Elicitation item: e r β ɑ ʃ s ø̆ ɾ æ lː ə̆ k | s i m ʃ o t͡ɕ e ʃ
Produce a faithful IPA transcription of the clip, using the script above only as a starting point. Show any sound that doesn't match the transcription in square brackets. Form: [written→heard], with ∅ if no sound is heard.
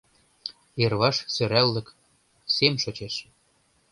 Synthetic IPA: e r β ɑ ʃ s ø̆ ɾ æ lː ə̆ k | s [i→e] m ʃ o t͡ɕ e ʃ